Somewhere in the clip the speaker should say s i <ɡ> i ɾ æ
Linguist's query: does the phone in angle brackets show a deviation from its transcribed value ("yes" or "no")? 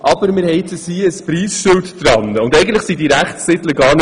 yes